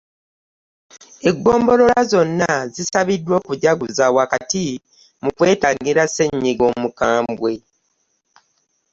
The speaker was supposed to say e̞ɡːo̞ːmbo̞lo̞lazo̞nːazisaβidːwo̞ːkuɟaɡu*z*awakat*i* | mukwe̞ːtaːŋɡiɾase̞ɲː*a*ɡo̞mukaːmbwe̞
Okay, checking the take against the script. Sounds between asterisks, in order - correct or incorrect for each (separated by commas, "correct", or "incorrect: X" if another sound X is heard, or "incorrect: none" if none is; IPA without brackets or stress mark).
correct, correct, incorrect: i